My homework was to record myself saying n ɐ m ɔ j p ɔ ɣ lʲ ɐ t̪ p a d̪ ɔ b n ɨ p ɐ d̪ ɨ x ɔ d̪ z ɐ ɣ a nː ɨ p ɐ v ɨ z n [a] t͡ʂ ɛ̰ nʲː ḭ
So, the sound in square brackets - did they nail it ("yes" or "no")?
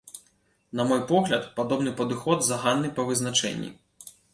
yes